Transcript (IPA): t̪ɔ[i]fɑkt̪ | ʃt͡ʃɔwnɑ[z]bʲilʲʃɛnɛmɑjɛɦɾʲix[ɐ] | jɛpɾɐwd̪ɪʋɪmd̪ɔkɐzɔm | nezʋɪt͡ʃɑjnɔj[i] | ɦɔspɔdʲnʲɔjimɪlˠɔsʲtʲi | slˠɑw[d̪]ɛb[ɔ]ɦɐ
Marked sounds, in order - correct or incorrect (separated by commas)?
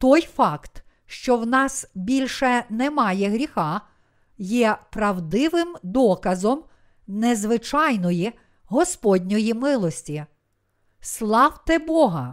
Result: incorrect, incorrect, incorrect, correct, incorrect, correct